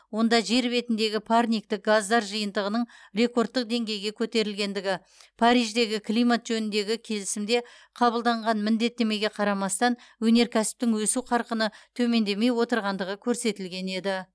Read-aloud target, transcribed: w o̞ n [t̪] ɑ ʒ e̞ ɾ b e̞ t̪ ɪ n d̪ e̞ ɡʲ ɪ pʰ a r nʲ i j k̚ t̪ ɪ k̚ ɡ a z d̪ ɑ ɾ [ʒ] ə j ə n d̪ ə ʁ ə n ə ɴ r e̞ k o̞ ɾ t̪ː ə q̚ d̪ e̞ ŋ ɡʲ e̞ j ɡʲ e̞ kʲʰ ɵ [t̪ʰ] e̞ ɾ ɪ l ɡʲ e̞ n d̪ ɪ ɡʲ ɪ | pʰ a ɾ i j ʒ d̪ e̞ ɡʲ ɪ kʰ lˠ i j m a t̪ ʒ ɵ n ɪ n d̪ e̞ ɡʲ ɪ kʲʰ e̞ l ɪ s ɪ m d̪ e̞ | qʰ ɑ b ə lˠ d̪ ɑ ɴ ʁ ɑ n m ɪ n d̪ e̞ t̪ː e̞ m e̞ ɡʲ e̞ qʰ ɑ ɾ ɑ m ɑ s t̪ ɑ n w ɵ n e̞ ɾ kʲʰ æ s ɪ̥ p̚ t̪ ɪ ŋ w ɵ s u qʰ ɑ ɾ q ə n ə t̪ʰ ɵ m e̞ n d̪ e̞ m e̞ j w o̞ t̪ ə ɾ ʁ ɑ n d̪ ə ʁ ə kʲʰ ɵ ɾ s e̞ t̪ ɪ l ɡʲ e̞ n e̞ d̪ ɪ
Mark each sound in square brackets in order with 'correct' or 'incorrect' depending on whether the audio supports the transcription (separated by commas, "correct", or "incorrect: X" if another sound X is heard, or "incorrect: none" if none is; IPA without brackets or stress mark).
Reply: incorrect: d̪, correct, incorrect: t̪